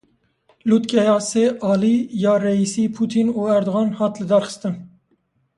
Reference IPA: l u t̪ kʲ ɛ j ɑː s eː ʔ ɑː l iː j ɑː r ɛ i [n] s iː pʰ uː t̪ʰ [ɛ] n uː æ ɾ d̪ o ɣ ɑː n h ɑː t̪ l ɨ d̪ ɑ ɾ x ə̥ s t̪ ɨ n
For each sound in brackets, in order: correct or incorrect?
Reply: incorrect, incorrect

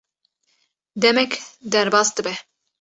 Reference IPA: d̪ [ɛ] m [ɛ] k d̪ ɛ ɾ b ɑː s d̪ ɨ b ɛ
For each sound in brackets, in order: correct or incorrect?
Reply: correct, correct

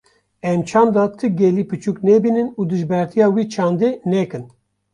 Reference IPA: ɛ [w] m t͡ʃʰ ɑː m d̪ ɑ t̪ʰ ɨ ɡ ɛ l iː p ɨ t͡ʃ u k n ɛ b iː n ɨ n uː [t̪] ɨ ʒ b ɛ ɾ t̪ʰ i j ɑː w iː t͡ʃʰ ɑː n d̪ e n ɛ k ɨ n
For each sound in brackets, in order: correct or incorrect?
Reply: incorrect, incorrect

